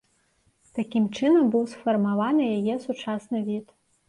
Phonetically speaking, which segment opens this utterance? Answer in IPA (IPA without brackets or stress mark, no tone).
t̪